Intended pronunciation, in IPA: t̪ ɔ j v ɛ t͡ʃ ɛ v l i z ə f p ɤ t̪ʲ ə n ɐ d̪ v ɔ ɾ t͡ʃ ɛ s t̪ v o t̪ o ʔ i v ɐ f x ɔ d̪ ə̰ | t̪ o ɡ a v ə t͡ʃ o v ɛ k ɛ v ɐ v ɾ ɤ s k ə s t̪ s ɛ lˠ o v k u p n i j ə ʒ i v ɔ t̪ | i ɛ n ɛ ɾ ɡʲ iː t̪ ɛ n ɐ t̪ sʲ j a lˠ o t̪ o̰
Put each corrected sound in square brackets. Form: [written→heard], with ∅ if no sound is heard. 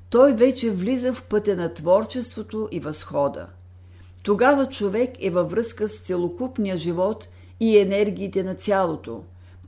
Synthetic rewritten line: t̪ ɔ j v ɛ t͡ʃ ɛ v l i z ə f p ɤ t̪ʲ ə n ɐ [d̪→t̪] v ɔ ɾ t͡ʃ ɛ s t̪ v o t̪ o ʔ i v ɐ [f→s] x ɔ d̪ ə̰ | t̪ o ɡ a v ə t͡ʃ o v ɛ k ɛ v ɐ v ɾ ɤ s k ə s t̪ s ɛ lˠ o [v→∅] k u p n i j ə ʒ i v ɔ t̪ | i ɛ n ɛ ɾ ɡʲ iː t̪ ɛ n ɐ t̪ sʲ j a lˠ o t̪ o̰